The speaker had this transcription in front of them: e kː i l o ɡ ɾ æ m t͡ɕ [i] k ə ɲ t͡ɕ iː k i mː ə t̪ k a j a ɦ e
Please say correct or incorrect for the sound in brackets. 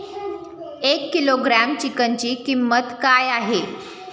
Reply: correct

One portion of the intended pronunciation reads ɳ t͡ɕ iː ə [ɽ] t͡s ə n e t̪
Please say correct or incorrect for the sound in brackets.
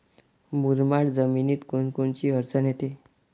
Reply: incorrect: ɾ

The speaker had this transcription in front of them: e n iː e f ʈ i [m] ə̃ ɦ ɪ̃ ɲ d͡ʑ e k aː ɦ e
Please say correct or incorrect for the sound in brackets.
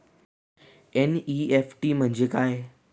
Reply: correct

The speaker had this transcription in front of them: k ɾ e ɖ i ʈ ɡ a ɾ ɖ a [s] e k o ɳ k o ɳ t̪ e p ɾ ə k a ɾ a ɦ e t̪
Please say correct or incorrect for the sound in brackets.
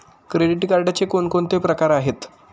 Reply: incorrect: t͡s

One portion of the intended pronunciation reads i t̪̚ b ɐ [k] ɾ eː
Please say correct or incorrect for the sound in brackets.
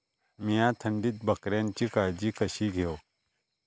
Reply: correct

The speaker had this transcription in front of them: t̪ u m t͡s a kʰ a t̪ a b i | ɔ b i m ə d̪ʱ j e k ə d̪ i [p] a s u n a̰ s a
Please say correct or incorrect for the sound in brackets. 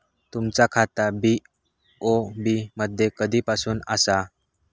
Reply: correct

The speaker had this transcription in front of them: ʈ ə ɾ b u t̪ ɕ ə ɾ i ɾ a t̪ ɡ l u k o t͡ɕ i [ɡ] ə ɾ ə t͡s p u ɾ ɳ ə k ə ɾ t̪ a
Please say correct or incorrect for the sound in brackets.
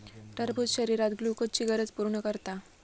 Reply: correct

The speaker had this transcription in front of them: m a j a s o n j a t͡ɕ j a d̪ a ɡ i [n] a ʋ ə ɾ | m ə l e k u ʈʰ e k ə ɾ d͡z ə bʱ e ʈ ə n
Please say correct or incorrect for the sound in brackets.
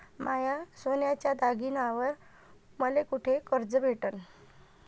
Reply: correct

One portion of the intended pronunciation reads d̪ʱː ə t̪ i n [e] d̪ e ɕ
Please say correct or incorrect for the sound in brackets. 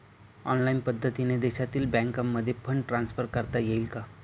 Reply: correct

